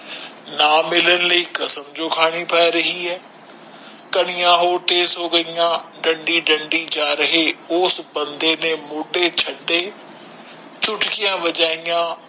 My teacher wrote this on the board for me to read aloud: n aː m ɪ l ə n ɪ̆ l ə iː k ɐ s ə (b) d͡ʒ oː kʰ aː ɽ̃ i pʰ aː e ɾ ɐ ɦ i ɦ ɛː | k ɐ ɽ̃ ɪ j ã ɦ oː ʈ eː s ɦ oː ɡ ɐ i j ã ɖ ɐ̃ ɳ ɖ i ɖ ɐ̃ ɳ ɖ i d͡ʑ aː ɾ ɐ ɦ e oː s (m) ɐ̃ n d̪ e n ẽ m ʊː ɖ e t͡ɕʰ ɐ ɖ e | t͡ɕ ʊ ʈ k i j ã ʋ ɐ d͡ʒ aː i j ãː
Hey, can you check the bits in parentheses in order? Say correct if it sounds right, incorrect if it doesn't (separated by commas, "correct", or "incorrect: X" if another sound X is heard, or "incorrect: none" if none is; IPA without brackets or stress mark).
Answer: incorrect: m, incorrect: b